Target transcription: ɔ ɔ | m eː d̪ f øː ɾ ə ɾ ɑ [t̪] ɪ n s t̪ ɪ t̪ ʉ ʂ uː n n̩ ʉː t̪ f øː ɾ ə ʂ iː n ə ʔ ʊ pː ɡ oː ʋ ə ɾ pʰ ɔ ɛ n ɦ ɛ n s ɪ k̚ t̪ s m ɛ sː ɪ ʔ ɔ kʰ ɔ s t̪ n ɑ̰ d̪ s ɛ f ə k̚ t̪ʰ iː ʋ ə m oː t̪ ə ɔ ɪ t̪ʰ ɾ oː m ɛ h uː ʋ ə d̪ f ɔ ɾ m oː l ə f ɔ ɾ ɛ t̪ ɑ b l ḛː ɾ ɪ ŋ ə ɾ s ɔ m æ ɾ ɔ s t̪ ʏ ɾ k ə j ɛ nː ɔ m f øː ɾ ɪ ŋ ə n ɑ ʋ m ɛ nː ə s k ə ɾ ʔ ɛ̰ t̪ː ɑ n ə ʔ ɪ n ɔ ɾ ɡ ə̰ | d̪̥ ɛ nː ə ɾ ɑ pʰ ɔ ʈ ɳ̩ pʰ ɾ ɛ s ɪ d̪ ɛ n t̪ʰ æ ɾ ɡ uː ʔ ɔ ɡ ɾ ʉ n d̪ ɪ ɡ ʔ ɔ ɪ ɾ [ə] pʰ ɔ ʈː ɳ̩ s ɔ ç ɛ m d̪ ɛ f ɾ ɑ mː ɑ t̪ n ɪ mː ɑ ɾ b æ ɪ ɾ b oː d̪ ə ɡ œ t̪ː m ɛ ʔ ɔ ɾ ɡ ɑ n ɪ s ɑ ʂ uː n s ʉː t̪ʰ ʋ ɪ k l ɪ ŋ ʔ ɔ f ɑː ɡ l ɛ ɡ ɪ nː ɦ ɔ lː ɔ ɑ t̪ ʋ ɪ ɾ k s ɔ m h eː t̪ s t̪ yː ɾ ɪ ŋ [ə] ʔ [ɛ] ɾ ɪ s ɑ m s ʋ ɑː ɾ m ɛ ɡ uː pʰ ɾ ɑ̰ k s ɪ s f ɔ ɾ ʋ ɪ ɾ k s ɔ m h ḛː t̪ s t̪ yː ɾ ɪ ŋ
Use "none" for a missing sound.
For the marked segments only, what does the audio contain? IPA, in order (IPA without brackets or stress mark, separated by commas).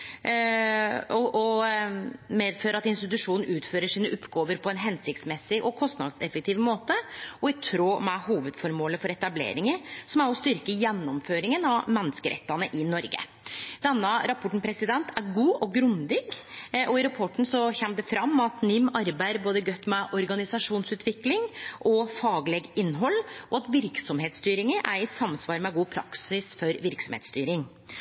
t̪, ɑ, ə, æ